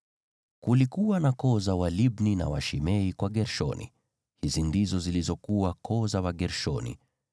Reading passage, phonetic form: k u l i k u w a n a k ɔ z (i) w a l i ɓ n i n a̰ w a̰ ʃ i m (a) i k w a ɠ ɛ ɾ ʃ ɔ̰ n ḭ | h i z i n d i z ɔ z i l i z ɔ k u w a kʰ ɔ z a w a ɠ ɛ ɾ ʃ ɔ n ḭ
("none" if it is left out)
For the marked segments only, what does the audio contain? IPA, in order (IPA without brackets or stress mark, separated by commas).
a, ɛ